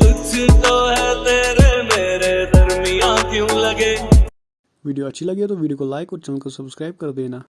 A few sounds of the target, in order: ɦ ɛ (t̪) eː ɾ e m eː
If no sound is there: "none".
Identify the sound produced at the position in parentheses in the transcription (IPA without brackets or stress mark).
t̪